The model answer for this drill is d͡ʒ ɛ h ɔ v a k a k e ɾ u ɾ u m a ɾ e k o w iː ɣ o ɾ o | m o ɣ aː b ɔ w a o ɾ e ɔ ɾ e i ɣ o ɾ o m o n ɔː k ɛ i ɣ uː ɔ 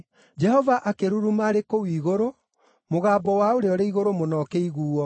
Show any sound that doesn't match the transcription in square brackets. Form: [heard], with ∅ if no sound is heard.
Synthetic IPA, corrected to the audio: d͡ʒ ɛ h ɔ v a [ʔ] a k e ɾ u ɾ u m a ɾ e k o w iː ɣ o ɾ o | m o ɣ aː b ɔ w a o ɾ e ɔ ɾ e i ɣ o ɾ o m o n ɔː k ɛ i ɣ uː ɔ